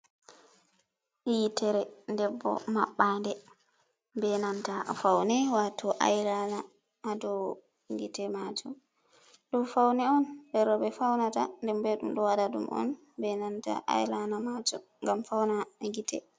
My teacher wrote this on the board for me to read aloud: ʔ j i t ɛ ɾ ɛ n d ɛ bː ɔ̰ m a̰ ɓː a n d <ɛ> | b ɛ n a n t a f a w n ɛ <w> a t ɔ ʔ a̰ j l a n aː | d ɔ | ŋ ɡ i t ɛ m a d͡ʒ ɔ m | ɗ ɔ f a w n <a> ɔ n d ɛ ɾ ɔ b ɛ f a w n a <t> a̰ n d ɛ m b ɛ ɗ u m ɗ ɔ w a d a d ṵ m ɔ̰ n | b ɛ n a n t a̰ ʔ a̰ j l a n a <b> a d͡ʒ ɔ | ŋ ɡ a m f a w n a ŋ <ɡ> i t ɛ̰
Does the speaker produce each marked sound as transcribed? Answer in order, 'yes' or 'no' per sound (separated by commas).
yes, yes, no, yes, no, yes